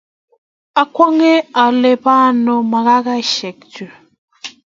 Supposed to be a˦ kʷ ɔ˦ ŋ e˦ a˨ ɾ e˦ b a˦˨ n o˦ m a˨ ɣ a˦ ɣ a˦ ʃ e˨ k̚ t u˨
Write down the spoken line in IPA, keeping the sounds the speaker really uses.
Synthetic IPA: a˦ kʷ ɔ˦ ŋ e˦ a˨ l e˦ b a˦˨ n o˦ m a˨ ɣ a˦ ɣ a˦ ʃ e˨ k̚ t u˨